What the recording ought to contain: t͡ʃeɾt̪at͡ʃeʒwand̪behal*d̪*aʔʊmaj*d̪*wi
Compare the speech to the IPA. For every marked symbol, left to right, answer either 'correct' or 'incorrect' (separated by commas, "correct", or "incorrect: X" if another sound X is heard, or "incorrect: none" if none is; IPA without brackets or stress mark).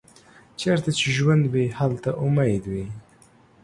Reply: incorrect: t̪, correct